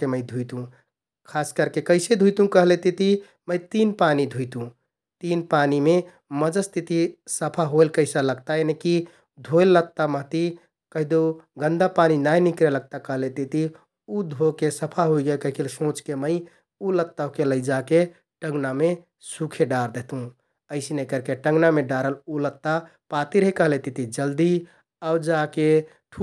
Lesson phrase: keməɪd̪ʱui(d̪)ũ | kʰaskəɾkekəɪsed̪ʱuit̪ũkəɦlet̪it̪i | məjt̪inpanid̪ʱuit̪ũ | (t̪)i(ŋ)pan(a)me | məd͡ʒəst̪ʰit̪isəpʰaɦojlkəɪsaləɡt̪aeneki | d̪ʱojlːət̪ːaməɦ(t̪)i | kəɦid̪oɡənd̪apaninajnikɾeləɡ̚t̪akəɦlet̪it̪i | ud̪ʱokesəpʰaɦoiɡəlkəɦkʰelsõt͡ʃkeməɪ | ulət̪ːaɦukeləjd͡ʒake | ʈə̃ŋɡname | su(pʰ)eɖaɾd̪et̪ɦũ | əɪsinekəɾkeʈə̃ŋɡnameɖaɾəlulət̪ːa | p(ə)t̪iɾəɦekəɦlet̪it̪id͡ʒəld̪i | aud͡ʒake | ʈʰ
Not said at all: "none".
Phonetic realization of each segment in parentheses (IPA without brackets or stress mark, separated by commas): t̪, t̪, n, i, t̪, kʰ, a